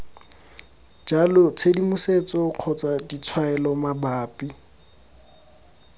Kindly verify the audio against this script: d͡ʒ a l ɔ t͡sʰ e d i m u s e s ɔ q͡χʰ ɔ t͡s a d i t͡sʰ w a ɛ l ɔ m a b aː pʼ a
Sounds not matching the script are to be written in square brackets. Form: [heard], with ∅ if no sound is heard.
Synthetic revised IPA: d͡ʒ a l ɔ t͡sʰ e d i m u s e [t͡s] ɔ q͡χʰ ɔ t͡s a d i t͡sʰ w a ɛ l ɔ m a b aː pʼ [i]